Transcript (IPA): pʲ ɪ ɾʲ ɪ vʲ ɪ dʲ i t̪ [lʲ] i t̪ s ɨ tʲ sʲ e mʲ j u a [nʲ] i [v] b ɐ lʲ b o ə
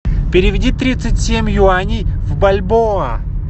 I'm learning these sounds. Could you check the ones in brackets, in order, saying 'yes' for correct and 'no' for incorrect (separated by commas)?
no, yes, yes